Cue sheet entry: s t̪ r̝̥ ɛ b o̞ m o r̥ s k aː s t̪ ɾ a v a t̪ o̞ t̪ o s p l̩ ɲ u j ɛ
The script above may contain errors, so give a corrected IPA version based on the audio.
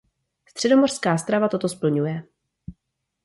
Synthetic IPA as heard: s t̪ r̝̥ ɛ d o̞ m o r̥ s k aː s t̪ ɾ a v a t̪ o̞ t̪ o s p l̩ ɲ u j ɛ

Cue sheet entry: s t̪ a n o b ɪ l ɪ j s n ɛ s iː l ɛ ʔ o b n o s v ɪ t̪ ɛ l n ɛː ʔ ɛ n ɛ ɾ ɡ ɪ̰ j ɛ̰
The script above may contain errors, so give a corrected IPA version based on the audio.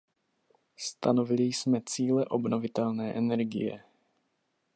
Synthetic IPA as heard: s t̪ a n o v ɪ l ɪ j s m ɛ t͡s iː l ɛ ʔ o b n o v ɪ t̪ ɛ l n ɛː ʔ ɛ n ɛ ɾ ɡ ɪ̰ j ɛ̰

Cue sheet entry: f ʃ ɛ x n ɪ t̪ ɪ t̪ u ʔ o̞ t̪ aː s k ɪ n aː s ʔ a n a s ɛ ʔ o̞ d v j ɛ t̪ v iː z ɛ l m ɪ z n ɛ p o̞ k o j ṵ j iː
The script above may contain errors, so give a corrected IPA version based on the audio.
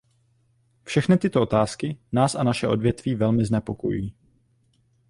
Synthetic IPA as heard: f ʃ ɛ x n ɪ t̪ ɪ t̪ o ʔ o̞ t̪ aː s k ɪ n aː s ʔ a n a ʃ ɛ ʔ o̞ d v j ɛ t̪ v iː v ɛ l m ɪ z n ɛ p o̞ k o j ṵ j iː

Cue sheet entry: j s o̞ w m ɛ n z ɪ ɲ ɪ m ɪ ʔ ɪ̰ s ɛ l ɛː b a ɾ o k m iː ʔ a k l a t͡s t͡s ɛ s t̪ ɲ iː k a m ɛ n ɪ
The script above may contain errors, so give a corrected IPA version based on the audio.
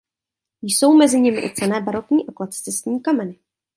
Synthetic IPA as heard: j s o̞ w m ɛ z ɪ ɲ ɪ m ɪ ʔ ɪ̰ t͡s ɛ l ɛː b a ɾ o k ɲ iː ʔ a k l a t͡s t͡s ɛ s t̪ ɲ iː k a m ɛ n ɪ

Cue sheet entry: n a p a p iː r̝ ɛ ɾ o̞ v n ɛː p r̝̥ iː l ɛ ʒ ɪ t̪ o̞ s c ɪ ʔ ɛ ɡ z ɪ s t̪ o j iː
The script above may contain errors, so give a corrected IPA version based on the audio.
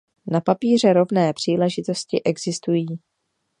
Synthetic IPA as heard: n a p a p iː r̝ ɛ ɾ o̞ v n ɛː p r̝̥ iː l ɛ ʒ ɪ t̪ o̞ s c ɪ ʔ ɛ ɡ z ɪ s t̪ u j iː

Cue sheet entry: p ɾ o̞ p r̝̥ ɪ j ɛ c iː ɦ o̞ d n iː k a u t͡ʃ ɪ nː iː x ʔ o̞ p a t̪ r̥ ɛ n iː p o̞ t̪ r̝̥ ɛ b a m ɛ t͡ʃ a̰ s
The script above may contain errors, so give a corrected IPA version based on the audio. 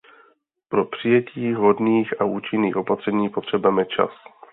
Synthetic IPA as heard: p ɾ o̞ p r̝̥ ɪ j ɛ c iː ɦ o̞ d n iː x a uː t͡ʃ ɪ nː iː x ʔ o̞ p a t̪ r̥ ɛ ɲ iː p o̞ t̪ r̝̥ ɛ b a m ɛ t͡ʃ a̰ s

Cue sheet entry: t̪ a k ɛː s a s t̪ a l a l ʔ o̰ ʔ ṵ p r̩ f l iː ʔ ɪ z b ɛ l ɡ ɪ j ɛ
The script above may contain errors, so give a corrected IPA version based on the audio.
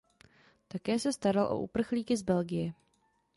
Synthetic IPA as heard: t̪ a k ɛː s ɛ s t̪ a ɾ a l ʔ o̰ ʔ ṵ p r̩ x l iː k ɪ z b ɛ l ɡ ɪ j ɛ

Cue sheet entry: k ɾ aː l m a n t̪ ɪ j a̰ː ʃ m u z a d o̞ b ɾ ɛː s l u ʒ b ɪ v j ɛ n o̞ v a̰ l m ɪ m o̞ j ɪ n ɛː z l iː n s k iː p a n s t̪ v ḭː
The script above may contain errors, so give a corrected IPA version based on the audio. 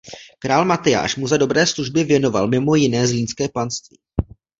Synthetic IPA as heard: k ɾ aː l m a t̪ ɪ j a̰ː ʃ m u z a d o̞ b ɾ ɛː s l u ʒ b ɪ v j ɛ n o̞ v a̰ l m ɪ m o̞ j ɪ n ɛː z l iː n s k ɛː p a n s t̪ v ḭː

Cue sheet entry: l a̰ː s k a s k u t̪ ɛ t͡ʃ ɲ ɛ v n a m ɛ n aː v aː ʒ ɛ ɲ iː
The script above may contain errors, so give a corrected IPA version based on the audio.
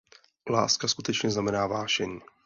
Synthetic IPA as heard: l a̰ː s k a s k u t̪ ɛ t͡ʃ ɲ ɛ z n a m ɛ n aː v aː ʃ ɛ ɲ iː

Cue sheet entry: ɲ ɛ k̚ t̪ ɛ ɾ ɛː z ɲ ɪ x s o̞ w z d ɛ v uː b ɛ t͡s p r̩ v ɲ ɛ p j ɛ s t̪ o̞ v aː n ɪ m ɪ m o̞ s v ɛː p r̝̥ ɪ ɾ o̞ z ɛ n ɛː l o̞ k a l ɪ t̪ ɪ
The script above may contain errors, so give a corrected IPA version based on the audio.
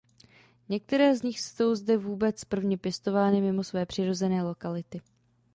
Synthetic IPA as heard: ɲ ɛ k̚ t̪ ɛ ɾ ɛː z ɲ ɪ x s o̞ w z d ɛ v uː b ɛ t͡s p r̩ v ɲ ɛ p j ɛ s t̪ o̞ v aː n ɪ m ɪ m o̞ s v ɛː p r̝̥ ɪ ɾ o̞ z ɛ n ɛː l o̞ k a l ɪ t̪ ɪ

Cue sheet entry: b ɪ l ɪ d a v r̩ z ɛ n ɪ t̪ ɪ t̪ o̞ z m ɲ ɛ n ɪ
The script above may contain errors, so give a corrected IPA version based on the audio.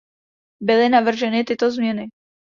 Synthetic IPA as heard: b ɪ l ɪ n a v r̩ ʒ ɛ n ɪ t̪ ɪ t̪ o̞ z m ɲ ɛ n ɪ

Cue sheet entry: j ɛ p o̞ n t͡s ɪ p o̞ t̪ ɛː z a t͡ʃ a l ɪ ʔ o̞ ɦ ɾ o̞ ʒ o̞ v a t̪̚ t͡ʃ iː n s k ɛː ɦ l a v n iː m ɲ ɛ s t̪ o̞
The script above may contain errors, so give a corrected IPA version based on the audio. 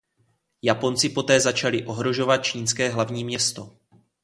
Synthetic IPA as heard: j a p o̞ n t͡s ɪ p o̞ t̪ ɛː z a t͡ʃ a l ɪ ʔ o̞ ɦ ɾ o̞ ʒ o̞ v a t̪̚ t͡ʃ iː n s k ɛː ɦ l a v ɲ iː m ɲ ɛ s t̪ o̞

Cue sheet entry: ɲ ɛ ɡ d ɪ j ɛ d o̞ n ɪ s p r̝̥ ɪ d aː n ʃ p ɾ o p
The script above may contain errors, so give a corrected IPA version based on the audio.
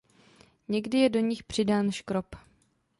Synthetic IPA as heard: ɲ ɛ ɡ d ɪ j ɛ d o̞ ɲ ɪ x p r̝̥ ɪ d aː n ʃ k ɾ o p

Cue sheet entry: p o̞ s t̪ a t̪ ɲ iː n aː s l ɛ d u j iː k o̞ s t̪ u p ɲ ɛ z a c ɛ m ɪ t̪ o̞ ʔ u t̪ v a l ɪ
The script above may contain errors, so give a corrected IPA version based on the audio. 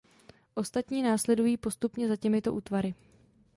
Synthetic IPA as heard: ʔ o̞ s t̪ a t̪ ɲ iː n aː s l ɛ d u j iː p o̞ s t̪ u p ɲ ɛ z a c ɛ m ɪ t̪ o̞ ʔ uː t̪ v a ɾ ɪ

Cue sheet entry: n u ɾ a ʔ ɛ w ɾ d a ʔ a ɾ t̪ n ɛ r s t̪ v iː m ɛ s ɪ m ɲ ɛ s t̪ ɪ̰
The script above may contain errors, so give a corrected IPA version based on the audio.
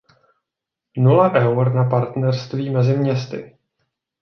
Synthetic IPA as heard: n u l a ʔ ɛ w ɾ n a p a ɾ t̪ n ɛ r s t̪ v iː m ɛ z ɪ m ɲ ɛ s t̪ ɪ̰

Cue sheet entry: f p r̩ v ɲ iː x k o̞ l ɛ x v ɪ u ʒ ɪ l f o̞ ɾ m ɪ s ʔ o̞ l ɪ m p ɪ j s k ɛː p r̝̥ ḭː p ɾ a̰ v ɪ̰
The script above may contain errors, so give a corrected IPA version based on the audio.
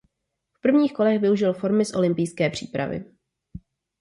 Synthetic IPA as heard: f p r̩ v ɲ iː x k o̞ l ɛ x v ɪ u ʒ ɪ l f o̞ ɾ m ɪ s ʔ o̞ l ɪ m p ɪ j s k ɛː p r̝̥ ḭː p ɾ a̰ v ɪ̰

